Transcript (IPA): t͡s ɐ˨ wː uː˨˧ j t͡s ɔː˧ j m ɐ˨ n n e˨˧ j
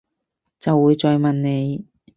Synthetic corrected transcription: t͡s ɐ˨ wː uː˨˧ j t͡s ɔː˧ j m ɐ˨ n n e˨˧ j

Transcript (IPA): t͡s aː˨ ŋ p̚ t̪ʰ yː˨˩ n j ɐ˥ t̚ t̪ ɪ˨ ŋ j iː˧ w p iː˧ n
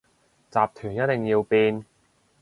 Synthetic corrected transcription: t͡s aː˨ p̚ t̪ʰ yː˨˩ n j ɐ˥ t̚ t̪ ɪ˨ ŋ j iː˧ w p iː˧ n

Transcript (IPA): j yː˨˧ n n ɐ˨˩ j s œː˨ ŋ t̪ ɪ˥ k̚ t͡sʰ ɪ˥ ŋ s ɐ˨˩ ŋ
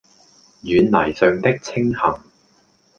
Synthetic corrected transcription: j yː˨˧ n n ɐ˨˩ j s œː˨ ŋ t̪ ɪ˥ k̚ t͡sʰ ɪ˥ ŋ h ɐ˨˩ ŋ

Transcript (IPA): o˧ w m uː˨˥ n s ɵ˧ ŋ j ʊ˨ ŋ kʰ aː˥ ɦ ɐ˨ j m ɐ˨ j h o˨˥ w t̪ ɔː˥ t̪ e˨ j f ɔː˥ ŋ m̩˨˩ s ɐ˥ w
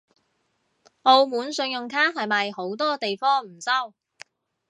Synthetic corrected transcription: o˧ w m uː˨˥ n s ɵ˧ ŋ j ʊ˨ ŋ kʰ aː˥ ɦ ɐ˨ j m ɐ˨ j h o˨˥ w t̪ ɔː˥ t̪ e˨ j f ɔː˥ ŋ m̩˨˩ s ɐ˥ w

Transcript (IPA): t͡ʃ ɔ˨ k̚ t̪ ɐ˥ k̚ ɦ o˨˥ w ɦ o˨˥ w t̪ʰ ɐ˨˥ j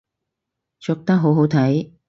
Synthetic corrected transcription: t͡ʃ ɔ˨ k̚ t̪ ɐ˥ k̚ ɦ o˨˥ w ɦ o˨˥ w t̪ʰ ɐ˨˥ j

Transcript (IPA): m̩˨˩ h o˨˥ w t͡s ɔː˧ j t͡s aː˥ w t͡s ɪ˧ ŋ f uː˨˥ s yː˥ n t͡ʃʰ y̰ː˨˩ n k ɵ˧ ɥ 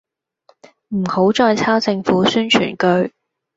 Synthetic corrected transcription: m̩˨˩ h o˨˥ w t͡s ɔː˧ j t͡sʰ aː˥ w t͡s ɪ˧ ŋ f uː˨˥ s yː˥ n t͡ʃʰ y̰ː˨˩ n k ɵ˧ ɥ

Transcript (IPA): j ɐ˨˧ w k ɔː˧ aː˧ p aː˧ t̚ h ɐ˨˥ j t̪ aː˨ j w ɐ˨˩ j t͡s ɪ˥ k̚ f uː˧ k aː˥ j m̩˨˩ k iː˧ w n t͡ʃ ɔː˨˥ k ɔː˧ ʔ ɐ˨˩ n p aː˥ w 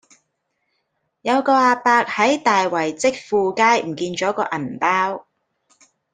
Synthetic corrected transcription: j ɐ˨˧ w k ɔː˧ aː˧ p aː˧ k̚ h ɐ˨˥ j t̪ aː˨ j w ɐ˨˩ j t͡s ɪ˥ k̚ f uː˧ k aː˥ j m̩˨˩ k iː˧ n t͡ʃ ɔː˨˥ k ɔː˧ ʔ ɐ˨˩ n p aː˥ w

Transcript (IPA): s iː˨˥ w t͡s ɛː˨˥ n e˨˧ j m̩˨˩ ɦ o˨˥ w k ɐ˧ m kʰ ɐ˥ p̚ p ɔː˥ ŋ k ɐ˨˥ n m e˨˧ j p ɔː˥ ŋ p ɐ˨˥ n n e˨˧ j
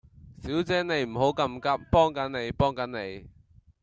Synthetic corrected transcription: s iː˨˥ w t͡s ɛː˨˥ n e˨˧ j m̩˨˩ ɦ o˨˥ w k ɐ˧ m k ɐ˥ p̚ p ɔː˥ ŋ k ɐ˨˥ n n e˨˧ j p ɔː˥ ŋ k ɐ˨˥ n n e˨˧ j

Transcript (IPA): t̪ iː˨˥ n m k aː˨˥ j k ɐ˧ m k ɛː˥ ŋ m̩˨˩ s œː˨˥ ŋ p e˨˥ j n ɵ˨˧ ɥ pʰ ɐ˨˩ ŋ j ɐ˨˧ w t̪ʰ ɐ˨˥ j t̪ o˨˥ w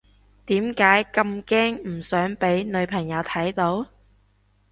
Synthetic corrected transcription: t̪ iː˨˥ m k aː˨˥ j k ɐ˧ m k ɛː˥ ŋ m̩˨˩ s œː˨˥ ŋ p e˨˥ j n ɵ˨˧ ɥ pʰ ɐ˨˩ ŋ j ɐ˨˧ w t̪ʰ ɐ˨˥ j t̪ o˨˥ w

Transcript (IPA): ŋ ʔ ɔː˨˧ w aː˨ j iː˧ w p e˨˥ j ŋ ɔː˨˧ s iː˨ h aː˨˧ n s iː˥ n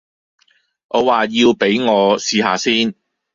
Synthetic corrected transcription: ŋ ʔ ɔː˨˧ w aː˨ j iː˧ w p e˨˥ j ŋ ɔː˨˧ s iː˨ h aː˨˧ s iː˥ n

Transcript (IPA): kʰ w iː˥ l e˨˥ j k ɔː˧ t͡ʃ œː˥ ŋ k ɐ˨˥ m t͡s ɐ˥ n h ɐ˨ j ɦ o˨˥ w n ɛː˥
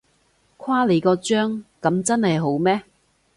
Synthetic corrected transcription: kʰ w aː˥ l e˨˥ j k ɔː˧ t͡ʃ œː˥ ŋ k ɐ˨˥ m t͡s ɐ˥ n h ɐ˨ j ɦ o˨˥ w m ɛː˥

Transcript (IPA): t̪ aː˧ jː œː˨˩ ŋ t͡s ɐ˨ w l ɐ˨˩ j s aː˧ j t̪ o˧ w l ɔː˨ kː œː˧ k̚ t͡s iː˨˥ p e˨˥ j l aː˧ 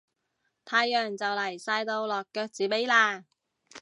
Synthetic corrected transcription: t̪ʰ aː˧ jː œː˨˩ ŋ t͡s ɐ˨ w l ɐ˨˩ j s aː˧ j t̪ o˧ w l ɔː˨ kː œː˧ k̚ t͡s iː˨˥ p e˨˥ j l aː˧

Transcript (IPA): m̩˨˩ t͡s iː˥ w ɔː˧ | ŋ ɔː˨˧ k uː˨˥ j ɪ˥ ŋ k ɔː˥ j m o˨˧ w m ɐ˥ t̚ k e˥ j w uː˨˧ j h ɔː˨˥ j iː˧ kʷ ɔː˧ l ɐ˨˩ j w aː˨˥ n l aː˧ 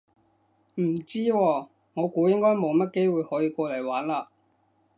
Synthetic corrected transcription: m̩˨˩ t͡s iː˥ w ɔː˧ | ŋ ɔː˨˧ k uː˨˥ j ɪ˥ ŋ k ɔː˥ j m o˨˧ w m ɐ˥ t̚ k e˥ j w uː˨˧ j h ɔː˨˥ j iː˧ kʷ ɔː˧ l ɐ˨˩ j w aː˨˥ n l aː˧

